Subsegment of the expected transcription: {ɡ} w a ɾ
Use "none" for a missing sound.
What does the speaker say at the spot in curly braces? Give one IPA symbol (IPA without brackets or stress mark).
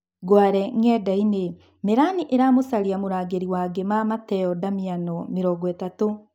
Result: ɡ